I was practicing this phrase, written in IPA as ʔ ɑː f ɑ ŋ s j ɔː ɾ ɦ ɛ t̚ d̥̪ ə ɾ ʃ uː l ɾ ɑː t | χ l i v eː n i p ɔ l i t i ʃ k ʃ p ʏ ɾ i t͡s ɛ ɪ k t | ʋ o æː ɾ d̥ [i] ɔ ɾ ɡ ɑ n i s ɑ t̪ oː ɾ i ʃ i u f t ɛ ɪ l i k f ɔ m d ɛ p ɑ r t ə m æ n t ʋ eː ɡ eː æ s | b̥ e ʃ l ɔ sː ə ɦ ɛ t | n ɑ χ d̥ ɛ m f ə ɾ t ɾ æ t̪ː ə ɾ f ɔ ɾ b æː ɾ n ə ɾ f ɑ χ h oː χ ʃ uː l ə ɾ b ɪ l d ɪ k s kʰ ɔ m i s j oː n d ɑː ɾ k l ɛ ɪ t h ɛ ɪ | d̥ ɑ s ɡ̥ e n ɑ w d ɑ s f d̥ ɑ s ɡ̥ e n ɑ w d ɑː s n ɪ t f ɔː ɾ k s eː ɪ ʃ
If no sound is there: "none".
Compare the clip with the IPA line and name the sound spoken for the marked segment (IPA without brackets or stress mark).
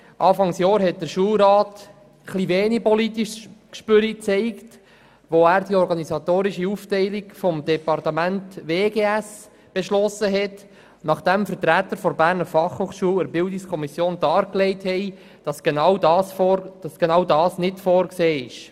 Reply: i